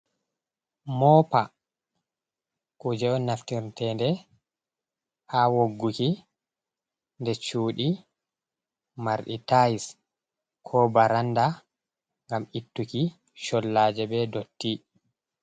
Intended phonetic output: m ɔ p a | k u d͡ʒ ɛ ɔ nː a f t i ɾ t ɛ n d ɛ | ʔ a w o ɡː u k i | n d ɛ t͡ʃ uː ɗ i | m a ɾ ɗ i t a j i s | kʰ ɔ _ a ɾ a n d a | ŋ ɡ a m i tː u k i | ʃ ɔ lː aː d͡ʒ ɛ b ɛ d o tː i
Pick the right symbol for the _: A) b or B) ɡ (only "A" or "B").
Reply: A